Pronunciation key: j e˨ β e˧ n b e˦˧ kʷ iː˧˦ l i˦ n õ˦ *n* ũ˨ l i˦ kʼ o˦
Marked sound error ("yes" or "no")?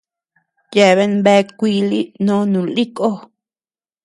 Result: no